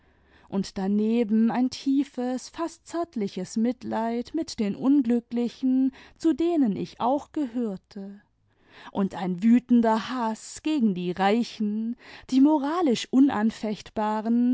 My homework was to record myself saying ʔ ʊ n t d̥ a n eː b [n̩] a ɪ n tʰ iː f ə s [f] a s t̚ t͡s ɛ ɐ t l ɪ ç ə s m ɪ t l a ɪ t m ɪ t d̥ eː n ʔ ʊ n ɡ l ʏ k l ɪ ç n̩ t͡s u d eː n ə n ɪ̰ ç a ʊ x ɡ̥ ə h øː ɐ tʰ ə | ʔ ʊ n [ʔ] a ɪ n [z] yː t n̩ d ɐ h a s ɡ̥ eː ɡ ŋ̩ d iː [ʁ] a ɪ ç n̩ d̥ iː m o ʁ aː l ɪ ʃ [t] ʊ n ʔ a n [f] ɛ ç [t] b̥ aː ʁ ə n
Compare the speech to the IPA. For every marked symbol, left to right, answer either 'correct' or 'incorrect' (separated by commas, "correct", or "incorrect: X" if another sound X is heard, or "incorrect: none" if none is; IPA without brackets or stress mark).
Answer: incorrect: m̩, correct, incorrect: t, incorrect: v, correct, incorrect: ʔ, correct, correct